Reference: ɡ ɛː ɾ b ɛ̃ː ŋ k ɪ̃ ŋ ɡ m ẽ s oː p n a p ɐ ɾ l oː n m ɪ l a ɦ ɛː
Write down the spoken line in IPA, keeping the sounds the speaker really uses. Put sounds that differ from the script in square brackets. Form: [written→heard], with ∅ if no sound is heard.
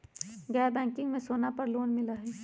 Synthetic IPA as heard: ɡ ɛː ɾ b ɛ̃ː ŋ k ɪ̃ ŋ ɡ m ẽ s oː [p→∅] n a p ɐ ɾ l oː n m ɪ l a ɦ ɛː